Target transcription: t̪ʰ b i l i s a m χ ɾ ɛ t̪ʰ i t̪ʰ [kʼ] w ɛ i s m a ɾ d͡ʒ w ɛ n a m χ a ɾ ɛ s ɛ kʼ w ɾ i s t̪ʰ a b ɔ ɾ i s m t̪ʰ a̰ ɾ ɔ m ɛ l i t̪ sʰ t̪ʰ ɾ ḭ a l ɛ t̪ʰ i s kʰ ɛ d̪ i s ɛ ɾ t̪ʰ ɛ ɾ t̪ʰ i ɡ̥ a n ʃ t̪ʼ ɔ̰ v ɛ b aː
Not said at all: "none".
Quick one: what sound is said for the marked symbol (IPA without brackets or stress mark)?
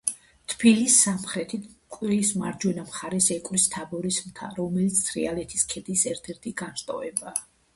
kʼ